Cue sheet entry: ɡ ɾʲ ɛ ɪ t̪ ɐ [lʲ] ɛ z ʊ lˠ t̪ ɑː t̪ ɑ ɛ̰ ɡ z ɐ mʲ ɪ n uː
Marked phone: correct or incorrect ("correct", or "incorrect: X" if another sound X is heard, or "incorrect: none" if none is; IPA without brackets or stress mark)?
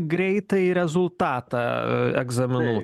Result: incorrect: ɾʲ